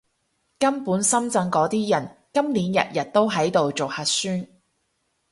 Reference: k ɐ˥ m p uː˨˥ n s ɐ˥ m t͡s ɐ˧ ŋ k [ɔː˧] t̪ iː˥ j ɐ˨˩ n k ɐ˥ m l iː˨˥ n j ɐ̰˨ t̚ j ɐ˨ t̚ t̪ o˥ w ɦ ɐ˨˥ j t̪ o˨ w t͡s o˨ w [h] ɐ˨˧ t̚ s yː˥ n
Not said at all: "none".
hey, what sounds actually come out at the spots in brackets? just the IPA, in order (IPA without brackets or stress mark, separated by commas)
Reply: ɔː˨˥, h